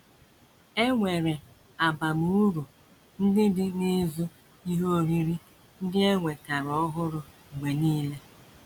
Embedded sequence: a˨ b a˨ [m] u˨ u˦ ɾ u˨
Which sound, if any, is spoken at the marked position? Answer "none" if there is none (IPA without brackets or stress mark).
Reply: m